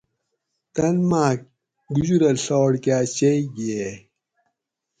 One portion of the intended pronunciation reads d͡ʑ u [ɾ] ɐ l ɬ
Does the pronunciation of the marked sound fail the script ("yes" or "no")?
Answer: no